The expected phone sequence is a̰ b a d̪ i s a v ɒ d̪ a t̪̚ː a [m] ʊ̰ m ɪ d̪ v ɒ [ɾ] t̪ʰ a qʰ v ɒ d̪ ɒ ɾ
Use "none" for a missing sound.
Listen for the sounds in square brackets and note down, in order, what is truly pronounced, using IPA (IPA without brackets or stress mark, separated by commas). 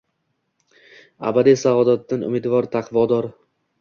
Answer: n, ɾ